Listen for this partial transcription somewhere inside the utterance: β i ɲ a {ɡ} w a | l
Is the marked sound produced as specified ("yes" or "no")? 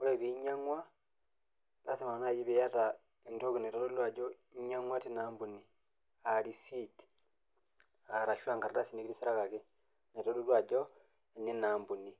no